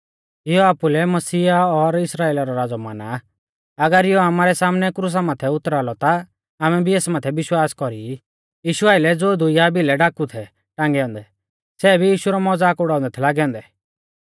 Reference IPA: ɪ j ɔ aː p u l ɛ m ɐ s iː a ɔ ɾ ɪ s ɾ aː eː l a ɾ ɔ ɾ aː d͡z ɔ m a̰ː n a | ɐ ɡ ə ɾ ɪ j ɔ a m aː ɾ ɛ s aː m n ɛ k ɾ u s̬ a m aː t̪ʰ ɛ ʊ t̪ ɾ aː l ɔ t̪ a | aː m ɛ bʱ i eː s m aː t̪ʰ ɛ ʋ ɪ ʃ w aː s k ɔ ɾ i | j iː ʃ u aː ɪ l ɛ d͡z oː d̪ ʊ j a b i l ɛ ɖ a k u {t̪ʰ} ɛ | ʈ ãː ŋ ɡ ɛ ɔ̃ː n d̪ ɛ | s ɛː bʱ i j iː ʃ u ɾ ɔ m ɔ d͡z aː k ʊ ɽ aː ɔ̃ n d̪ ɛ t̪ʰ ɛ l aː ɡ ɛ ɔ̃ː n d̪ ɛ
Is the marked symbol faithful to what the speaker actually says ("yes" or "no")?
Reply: yes